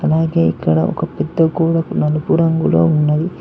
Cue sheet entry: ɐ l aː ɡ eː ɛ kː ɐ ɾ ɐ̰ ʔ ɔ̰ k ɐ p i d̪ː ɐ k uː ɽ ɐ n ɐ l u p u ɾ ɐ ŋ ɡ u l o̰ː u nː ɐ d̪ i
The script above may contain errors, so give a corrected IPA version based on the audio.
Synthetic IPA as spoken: ɐ l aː ɡ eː i kː ɐ ɽ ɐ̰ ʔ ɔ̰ k ɐ p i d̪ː ɐ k uː ɽ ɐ n ɐ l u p u ɾ ɐ ŋ ɡ u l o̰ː u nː ɐ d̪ i